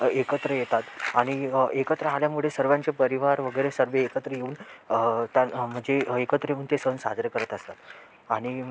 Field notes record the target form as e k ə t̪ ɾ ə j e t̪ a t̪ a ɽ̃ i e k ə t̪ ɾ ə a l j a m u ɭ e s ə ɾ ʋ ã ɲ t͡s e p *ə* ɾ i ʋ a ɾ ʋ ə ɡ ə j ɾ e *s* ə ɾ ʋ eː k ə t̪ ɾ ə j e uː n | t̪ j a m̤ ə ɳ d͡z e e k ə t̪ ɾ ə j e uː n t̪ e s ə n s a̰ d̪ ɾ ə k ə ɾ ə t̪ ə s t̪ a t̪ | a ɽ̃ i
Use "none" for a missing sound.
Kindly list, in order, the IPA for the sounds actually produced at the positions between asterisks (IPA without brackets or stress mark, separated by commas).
ə, s